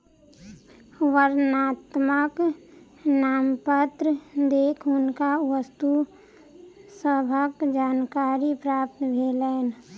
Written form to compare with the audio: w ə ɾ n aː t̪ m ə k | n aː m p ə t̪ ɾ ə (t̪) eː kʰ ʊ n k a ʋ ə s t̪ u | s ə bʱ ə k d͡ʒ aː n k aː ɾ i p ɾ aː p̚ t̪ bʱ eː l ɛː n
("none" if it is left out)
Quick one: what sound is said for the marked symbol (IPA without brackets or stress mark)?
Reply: d̪